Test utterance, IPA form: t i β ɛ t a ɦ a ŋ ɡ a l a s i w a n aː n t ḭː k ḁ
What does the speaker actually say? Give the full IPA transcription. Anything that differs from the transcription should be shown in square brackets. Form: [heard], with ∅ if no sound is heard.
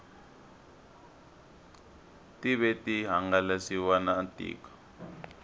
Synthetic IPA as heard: t i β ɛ t [i] ɦ a ŋ ɡ a l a s i w a n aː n t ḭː k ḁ